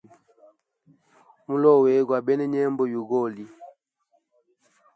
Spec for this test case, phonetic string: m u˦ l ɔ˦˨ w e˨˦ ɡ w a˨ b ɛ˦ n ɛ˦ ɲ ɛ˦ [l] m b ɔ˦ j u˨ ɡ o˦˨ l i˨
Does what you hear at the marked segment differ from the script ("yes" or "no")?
yes